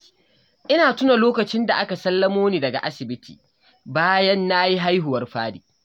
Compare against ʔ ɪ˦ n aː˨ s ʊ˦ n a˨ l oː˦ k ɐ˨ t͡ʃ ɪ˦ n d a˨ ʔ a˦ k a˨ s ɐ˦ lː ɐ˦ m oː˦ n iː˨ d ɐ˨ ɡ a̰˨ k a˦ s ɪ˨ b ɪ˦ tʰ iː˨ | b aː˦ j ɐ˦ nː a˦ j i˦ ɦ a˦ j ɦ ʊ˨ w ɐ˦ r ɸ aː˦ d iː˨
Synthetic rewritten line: ʔ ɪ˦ n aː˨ t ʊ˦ n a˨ l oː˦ k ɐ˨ t͡ʃ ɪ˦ n d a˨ ʔ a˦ k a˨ s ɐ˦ lː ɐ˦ m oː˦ n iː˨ d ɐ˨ ɡ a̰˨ ʔ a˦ s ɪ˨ b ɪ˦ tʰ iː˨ | b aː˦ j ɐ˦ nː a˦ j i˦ ɦ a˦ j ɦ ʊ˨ w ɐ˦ r ɸ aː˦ d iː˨